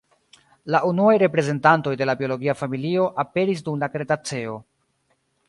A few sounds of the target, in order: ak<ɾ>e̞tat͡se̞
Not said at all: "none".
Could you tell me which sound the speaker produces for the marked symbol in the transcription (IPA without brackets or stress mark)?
ɾ